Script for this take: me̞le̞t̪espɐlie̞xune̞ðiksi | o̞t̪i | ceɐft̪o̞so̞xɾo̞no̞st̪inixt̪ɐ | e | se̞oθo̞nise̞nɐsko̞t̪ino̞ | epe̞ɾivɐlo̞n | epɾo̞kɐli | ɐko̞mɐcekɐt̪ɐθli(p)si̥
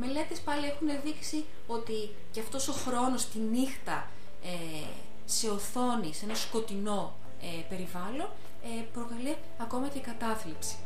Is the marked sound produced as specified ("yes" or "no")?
yes